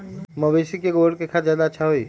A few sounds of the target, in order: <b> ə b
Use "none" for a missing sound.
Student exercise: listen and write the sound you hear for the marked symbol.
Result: m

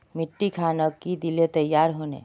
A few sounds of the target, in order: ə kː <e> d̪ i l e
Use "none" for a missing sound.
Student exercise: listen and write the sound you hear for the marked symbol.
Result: i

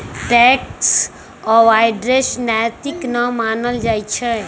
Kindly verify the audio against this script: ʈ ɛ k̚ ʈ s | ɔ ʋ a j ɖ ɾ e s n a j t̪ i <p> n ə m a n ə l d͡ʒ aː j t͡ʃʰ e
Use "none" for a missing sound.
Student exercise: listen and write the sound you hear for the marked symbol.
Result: k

